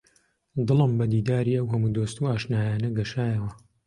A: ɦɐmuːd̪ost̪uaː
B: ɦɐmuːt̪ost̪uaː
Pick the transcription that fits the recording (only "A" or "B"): A